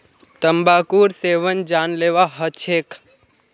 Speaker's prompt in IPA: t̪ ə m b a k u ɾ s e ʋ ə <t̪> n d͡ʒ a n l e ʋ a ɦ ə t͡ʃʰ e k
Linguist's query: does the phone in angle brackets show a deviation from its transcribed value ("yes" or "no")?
yes